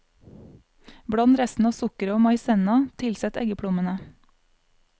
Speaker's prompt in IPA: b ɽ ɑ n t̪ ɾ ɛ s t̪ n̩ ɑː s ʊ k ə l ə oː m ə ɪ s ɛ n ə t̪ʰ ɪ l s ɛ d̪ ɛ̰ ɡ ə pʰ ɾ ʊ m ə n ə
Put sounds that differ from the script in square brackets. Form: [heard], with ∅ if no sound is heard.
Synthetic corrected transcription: b ɽ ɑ n t̪ ɾ ɛ s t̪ n̩ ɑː s ʊ k ə [ɾ] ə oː m [ɑ] ɪ s ɛ n [ɑ] t̪ʰ ɪ l s ɛ [t̪] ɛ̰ ɡ ə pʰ [ɽ] ʊ m ə n ə